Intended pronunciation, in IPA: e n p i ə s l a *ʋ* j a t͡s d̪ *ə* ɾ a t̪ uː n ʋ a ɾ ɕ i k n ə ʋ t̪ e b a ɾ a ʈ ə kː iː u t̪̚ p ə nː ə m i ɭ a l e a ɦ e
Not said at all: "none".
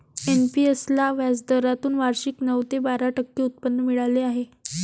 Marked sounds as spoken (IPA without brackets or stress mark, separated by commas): ʋ, ə